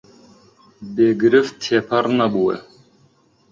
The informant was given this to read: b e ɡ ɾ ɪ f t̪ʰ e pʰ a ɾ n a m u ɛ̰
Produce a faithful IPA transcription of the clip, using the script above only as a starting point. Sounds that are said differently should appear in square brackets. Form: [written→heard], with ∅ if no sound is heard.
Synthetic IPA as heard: b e ɡ ɾ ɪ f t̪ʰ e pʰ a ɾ n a [m→b] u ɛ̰